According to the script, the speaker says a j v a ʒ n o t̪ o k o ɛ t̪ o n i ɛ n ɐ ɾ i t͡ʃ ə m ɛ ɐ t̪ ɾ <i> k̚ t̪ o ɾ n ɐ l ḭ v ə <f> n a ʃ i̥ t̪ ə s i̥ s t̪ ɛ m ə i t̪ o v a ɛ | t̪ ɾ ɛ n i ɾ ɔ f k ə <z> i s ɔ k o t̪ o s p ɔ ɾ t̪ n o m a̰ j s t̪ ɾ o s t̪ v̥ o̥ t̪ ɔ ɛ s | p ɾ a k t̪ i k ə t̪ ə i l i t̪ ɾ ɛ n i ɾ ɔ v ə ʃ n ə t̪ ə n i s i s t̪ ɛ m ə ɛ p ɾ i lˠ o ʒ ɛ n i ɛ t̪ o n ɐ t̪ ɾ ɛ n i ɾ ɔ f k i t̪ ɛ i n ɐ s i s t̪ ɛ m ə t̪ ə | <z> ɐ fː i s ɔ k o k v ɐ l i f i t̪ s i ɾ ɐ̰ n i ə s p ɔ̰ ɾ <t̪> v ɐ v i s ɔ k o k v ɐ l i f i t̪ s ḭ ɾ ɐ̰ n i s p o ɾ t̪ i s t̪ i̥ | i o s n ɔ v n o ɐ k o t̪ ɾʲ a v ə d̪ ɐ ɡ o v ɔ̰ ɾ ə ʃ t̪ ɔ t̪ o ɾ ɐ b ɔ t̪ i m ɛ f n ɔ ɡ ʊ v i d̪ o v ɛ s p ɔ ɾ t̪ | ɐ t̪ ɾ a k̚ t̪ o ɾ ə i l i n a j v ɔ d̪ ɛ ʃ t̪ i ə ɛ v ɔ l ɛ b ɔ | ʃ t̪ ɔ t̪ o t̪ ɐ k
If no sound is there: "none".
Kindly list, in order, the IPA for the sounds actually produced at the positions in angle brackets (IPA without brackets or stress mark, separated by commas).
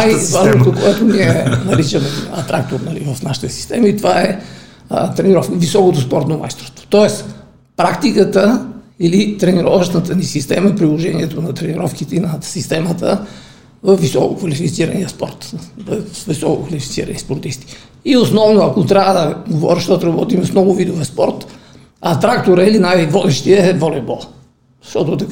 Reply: a, f, v, v, t̪